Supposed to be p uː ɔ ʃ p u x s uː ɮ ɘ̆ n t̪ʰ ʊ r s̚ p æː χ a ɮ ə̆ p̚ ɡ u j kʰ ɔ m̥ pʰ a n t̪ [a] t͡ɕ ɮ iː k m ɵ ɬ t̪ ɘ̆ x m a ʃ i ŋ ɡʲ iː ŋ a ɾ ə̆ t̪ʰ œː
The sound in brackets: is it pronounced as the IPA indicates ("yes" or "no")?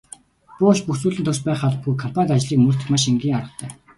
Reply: yes